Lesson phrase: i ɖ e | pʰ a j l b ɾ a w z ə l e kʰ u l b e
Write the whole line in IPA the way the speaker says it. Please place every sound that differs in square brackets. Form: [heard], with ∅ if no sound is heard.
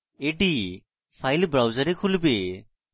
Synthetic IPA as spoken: [e] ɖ [i] | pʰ a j l b ɾ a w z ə [ɾ] e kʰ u l b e